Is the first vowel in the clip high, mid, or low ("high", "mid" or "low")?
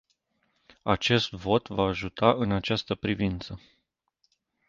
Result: low